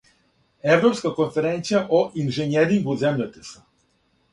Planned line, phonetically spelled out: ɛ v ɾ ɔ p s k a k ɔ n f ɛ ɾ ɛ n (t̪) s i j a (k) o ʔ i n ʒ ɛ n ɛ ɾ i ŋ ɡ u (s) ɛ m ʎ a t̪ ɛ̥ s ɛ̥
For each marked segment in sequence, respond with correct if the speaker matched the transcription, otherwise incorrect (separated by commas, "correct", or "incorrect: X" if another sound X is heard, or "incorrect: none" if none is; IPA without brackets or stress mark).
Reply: correct, incorrect: ʔ, incorrect: z